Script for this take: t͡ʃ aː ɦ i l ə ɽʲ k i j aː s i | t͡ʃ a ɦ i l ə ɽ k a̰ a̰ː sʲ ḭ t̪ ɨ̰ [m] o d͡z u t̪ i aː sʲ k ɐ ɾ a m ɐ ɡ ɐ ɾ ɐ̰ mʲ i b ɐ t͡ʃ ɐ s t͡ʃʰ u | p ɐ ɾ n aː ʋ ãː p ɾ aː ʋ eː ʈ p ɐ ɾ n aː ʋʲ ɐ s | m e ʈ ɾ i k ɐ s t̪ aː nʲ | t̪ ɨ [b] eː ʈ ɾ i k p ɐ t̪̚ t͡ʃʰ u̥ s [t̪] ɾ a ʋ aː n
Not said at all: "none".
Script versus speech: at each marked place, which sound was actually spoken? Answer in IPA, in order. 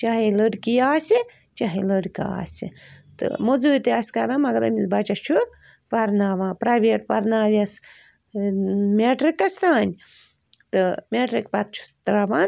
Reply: m, m, t̪

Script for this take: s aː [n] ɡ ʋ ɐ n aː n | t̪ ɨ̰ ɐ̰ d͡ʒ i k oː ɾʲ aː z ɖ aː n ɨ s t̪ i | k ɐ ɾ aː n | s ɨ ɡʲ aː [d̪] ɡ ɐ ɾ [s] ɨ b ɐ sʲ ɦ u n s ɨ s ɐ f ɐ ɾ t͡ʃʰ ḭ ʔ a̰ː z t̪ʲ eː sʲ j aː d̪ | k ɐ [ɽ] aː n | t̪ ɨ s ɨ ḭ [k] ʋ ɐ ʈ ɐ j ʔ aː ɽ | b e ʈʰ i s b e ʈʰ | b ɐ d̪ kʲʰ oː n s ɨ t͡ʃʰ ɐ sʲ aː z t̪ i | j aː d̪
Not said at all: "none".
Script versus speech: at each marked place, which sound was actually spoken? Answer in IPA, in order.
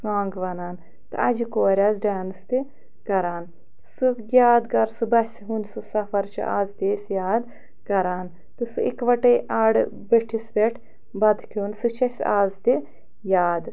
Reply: ŋ, d̪, s, ɾ, k

